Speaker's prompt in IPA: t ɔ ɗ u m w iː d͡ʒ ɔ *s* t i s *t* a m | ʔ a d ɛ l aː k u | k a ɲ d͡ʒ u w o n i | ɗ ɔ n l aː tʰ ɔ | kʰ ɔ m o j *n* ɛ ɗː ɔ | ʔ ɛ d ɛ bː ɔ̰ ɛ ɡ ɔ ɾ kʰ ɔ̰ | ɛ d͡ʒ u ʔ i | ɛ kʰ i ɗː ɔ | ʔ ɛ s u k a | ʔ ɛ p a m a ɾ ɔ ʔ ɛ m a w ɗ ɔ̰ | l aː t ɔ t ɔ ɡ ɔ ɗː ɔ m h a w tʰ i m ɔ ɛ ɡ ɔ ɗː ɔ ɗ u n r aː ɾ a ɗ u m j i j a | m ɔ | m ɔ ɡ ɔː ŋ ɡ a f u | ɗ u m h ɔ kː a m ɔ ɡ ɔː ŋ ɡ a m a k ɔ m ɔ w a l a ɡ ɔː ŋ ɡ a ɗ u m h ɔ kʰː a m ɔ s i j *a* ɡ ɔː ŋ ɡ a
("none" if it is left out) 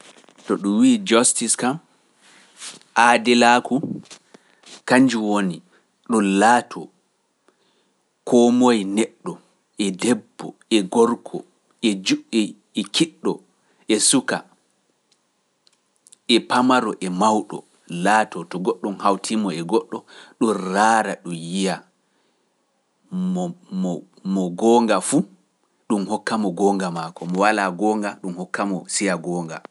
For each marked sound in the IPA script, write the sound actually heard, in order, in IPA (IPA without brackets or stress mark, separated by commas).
s, k, n, a